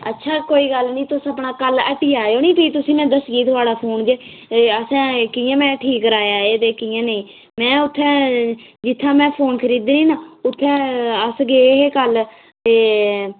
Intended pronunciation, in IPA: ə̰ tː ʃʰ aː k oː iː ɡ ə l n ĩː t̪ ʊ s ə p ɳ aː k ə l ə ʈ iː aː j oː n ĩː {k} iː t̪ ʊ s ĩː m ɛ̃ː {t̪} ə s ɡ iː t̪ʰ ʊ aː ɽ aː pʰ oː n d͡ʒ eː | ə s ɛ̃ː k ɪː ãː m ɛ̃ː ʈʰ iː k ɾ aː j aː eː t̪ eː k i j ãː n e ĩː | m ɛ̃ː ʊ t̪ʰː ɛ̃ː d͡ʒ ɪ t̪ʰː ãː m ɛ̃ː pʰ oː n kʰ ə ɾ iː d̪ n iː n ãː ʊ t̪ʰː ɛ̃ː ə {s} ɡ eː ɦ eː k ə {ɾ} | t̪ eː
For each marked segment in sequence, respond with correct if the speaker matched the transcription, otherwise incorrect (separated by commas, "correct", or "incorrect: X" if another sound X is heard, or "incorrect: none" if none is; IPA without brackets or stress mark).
incorrect: p, incorrect: d̪, correct, incorrect: l